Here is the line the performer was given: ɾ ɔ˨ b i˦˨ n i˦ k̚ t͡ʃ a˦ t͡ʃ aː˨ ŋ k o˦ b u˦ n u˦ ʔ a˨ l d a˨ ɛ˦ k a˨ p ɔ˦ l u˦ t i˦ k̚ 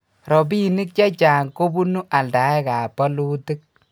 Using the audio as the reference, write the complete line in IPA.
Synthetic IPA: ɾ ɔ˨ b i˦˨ n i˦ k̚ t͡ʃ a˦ t͡ʃ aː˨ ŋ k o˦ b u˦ n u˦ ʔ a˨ l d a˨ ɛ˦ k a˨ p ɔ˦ l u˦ t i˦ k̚